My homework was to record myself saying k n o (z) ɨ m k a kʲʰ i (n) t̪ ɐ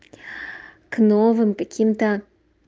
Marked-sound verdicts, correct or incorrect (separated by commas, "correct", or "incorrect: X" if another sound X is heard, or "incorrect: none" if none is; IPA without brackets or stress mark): incorrect: v, incorrect: m